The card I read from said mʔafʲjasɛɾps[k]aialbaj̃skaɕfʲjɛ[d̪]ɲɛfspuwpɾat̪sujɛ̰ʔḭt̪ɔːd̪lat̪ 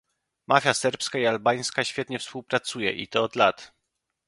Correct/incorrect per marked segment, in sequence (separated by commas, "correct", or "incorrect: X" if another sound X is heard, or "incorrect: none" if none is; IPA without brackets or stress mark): correct, incorrect: t̪